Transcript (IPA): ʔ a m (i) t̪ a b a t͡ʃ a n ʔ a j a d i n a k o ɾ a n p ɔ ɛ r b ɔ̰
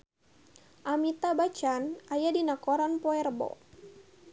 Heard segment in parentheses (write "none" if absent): i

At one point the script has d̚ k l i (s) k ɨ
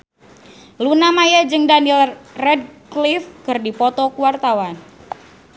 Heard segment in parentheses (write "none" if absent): f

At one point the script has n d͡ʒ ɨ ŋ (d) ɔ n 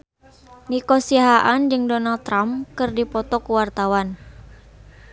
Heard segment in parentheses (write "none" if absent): d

